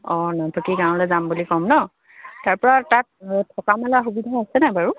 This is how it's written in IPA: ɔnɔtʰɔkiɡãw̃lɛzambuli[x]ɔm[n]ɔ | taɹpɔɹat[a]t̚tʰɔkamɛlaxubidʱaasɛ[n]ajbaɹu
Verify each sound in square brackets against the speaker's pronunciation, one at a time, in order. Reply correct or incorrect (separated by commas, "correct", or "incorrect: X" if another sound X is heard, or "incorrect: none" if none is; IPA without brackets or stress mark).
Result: incorrect: k, correct, correct, correct